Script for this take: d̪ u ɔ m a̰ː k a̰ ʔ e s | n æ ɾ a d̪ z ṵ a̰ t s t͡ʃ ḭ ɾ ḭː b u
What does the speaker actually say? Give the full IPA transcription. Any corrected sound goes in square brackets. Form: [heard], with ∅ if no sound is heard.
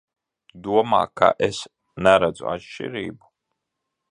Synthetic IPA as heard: d̪ u ɔ m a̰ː k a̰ ʔ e s | n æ ɾ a d̪ z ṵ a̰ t [ʃ] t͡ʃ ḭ ɾ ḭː b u